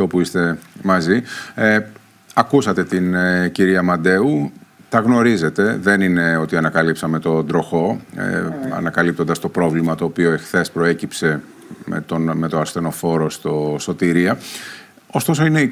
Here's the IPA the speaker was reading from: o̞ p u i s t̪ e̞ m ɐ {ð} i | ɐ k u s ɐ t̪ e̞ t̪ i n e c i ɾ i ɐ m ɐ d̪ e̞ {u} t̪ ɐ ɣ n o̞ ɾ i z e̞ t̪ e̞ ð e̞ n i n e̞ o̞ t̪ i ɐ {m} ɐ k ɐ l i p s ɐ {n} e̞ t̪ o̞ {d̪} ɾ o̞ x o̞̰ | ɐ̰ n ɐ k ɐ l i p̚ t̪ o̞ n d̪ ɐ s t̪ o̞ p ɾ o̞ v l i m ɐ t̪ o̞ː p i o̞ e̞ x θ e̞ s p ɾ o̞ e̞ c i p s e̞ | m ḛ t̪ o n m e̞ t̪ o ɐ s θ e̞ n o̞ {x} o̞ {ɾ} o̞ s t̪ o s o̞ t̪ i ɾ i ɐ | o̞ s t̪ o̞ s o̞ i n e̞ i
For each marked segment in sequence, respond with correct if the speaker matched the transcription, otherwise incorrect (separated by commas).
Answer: incorrect, correct, incorrect, incorrect, correct, incorrect, correct